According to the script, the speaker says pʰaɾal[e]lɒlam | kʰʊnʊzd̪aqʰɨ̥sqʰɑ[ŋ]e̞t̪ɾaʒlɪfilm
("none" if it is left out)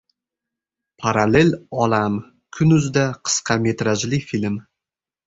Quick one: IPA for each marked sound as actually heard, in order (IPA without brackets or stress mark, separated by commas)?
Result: e, m